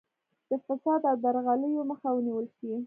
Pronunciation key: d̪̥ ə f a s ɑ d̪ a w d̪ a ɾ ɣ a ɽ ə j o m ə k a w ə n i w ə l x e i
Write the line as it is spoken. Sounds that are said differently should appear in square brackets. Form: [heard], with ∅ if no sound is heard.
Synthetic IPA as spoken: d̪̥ ə f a s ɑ d̪ a w d̪ a ɾ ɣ a [l] ə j o m ə [x] a w ə n i w ə l [ʃ] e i